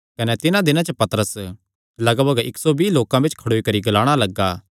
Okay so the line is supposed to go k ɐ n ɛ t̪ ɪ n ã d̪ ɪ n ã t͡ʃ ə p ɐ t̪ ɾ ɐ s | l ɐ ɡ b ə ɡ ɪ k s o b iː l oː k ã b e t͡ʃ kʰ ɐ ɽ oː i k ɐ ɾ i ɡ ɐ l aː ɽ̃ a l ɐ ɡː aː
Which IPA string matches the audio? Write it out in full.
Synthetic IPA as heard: k ɐ n ɛ t̪ ɪ n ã d̪ ɪ n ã t͡ʃ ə p ɐ t̪ ɾ ə s | l ɐ ɡ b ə ɡ ɪ k s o b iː l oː k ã b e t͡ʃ kʰ ɐ ɽ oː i k ɐ ɾ i ɡ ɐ l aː ɽ̃ a l ɐ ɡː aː

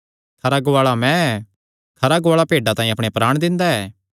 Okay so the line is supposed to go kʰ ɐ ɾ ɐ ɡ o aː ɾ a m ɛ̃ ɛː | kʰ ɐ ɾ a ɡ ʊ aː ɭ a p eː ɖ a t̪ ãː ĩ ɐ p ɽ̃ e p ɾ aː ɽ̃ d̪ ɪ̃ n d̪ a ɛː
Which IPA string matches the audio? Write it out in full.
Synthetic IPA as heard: kʰ ɐ ɾ a ɡ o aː ɭ a m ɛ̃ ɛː | kʰ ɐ ɾ a ɡ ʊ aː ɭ a p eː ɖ a t̪ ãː ĩ ɐ p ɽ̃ e p ɾ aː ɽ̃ d̪ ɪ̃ n d̪ a ɛː

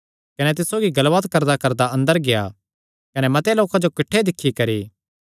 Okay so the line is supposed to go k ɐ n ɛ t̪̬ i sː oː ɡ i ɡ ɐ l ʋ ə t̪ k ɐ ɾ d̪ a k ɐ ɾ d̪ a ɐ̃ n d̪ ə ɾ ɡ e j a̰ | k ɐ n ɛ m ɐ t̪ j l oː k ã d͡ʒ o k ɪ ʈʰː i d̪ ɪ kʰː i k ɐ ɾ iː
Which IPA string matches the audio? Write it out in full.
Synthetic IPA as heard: k ɐ n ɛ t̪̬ ɪ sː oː ɡ i ɡ ɐ l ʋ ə t̪ k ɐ ɾ d̪ a k ɐ ɾ d̪ a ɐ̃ n d̪ ə ɾ ɡ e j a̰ | k ɐ n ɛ m ɐ t̪ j l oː k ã d͡ʒ o k ɪ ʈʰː e d̪ ɪ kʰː i k ɐ ɾ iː

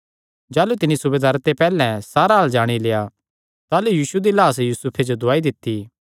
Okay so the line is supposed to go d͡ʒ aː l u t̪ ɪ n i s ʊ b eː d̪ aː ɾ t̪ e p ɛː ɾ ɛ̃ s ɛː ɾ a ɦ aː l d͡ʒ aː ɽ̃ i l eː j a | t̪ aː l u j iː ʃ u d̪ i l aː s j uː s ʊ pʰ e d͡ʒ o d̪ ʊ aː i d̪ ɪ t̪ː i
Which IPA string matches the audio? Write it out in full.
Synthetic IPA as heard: d͡ʒ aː l u t̪ ɪ n i s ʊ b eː d̪ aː ɾ t̪ e p ɛː l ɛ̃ s aː ɾ a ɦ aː l d͡ʒ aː ɽ̃ i l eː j a | t̪ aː l u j iː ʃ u d̪ i l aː s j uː s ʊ pʰ e d͡ʒ o d̪ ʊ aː i d̪ ɪ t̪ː i

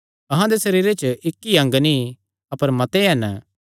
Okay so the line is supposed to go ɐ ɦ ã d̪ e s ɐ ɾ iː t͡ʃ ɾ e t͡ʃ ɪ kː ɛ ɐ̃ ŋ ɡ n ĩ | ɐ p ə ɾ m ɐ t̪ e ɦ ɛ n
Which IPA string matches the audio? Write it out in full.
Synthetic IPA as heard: ɐ ɦ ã d̪ e s ɐ ɾ iː ɾ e t͡ʃ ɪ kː i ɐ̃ ŋ ɡ n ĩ | ɐ p ə ɾ m ɐ t̪ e ɦ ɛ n

